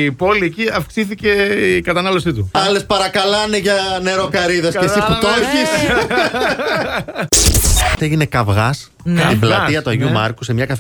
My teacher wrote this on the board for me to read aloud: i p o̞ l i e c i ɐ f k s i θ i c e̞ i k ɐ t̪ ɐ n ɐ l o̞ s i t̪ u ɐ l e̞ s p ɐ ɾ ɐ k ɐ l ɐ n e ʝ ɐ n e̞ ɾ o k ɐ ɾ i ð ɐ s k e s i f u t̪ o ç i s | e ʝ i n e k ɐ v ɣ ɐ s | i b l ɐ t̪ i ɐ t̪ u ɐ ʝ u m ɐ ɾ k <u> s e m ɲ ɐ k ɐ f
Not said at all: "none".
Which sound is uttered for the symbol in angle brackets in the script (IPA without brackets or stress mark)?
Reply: u